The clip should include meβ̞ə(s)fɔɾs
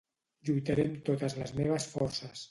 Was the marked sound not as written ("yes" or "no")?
no